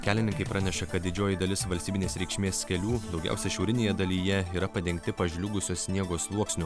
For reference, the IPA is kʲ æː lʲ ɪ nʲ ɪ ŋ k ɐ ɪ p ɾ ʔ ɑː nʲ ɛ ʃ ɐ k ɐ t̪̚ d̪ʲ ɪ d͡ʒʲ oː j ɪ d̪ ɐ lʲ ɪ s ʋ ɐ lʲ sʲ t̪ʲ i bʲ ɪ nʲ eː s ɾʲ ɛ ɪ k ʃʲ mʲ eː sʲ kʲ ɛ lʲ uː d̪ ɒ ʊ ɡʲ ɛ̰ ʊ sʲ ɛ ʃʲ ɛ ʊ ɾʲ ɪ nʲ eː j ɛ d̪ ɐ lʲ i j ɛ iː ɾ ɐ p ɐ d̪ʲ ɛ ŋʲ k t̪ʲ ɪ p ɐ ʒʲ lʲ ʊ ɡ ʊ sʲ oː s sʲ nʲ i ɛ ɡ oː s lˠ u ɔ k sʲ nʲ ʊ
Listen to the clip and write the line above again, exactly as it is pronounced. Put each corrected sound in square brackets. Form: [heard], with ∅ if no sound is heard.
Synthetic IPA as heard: kʲ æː lʲ ɪ nʲ ɪ ŋ k ɐ ɪ p ɾ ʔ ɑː nʲ ɛ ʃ ɐ k ɐ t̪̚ d̪ʲ ɪ d͡ʒʲ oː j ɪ d̪ ɐ lʲ ɪ s ʋ ɐ lʲ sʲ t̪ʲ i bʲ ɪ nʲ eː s ɾʲ ɛ ɪ k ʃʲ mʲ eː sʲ kʲ ɛ lʲ uː d̪ ɒ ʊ ɡʲ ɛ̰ ʊ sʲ ɛ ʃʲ ɛ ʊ ɾʲ ɪ nʲ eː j ɛ d̪ ɐ lʲ i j ɛ iː ɾ ɐ p ɐ d̪ʲ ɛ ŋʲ k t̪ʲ ɪ p ɐ ʒʲ lʲ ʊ ɡ ʊ sʲ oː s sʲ nʲ i ɛ ɡ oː s lˠ u ɔ k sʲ nʲ ʊ